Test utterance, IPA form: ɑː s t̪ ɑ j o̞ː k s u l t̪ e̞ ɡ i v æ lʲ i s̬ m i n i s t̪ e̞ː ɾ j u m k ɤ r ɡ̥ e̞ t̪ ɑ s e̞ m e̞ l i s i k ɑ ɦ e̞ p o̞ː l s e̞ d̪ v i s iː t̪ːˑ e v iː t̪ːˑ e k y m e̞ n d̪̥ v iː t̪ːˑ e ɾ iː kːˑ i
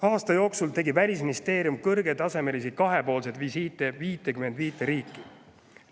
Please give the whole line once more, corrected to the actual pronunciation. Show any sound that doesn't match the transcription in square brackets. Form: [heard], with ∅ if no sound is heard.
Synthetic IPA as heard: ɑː s t̪ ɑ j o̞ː k s u l t̪ e̞ ɡ i v æ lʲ i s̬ m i n i s t̪ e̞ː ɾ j u m k ɤ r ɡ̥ e̞ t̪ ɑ s e̞ m e̞ l i s i k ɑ ɦ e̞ p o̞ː l s e̞ d̪ v i s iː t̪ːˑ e v iː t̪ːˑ e k y m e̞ n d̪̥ v iː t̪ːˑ e ɾ iː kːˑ i